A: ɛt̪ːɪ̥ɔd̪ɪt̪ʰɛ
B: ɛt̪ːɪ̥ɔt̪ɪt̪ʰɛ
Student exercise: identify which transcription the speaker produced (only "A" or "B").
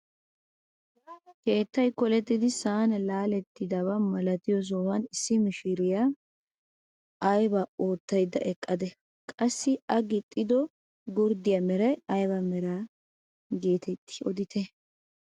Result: A